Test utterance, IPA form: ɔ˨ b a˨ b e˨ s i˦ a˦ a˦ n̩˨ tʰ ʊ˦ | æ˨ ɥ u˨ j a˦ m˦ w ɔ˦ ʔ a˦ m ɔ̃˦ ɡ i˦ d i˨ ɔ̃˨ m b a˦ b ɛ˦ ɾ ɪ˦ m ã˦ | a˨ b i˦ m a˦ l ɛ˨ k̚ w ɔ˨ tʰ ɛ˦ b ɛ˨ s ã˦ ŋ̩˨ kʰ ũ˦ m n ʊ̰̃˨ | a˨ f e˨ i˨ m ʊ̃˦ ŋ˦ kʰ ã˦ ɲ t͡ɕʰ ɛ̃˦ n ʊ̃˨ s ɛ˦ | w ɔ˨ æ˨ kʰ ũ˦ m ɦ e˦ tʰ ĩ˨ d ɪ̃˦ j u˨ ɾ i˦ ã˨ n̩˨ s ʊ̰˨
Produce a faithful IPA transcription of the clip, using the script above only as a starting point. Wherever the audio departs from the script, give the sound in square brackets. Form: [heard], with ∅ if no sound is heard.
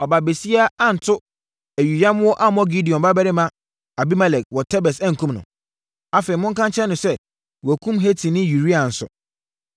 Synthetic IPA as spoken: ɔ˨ b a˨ b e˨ s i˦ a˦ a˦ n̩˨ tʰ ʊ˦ | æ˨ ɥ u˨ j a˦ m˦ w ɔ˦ ʔ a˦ m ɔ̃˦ ɡ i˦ d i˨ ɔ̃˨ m b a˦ b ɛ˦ ɾ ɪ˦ m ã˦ | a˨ b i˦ m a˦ l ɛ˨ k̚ w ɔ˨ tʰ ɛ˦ b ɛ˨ s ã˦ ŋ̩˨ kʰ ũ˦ m n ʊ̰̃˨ | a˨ f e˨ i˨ m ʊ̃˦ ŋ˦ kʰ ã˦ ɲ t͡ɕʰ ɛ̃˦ n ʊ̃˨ s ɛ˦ | w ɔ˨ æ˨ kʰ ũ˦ m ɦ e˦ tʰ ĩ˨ [n] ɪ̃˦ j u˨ ɾ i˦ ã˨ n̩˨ s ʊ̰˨